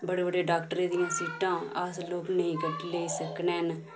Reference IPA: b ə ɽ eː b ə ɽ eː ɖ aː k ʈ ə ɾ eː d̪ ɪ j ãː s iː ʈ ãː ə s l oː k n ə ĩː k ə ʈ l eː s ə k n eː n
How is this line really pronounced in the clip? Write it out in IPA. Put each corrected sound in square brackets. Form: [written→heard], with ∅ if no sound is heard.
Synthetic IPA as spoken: b ə ɽ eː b ə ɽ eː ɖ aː k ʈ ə ɾ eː d̪ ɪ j ãː s iː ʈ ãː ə s l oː k n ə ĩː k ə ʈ l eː s ə k n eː n